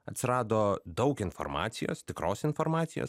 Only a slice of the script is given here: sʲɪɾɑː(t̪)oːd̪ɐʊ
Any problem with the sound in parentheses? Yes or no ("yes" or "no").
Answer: yes